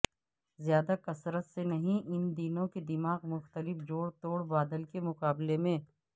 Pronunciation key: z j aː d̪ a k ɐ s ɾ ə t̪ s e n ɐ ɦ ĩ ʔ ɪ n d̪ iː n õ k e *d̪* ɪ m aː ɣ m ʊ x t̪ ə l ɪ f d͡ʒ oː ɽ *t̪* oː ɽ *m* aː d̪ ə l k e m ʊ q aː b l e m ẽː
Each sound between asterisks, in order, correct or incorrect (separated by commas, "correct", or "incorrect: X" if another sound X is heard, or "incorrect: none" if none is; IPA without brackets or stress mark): correct, correct, incorrect: b